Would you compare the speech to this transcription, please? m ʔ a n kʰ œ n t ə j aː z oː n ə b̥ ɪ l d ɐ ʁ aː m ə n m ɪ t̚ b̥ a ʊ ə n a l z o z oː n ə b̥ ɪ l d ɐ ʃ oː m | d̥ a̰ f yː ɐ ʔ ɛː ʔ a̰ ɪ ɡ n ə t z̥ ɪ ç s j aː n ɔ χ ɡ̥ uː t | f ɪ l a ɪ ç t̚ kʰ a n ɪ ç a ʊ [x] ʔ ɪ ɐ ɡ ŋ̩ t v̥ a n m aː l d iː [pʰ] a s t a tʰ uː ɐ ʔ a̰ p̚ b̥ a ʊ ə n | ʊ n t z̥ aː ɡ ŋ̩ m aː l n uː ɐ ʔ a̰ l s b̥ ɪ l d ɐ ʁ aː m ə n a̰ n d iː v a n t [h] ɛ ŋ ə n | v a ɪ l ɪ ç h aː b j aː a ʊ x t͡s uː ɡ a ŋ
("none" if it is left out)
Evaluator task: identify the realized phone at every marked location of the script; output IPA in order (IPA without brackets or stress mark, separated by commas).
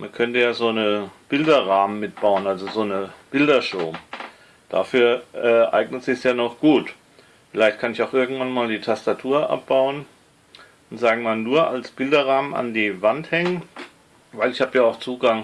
x, tʰ, h